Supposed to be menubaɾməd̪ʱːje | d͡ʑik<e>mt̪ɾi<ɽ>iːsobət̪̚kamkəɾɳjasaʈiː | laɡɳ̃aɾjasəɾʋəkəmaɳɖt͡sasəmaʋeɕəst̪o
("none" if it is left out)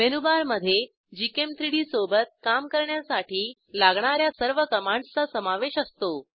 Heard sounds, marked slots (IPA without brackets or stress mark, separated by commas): e, ɽ